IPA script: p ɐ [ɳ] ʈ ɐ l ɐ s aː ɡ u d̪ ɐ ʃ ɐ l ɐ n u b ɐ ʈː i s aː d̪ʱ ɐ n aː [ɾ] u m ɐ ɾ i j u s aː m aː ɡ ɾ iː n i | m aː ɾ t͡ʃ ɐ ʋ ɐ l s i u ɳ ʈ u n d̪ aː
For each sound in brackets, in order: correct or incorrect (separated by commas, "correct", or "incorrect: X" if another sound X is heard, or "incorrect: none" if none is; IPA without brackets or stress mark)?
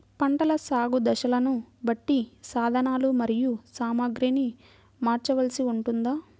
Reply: correct, incorrect: l